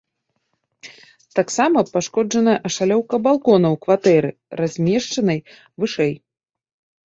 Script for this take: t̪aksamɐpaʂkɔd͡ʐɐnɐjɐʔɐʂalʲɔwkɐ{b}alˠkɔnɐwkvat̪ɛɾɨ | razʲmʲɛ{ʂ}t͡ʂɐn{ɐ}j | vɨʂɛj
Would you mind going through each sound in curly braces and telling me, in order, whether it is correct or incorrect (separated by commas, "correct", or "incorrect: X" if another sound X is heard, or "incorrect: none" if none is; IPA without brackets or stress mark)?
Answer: correct, correct, correct